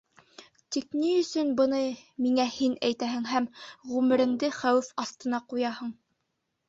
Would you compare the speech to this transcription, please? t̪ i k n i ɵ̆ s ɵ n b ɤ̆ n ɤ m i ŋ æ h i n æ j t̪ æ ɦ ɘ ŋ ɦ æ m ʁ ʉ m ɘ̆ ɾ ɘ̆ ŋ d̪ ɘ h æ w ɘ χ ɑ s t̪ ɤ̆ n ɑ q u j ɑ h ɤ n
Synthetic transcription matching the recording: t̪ i k n i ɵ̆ s ɵ n b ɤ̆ n ɤ m i ŋ æ h i n æ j t̪ æ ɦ ɘ ŋ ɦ æ m ʁ ʉ m ɘ̆ ɾ ɘ̆ ŋ d̪ ɘ χ æ w ɘ f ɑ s t̪ ɤ̆ n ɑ q u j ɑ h ɤ ɴ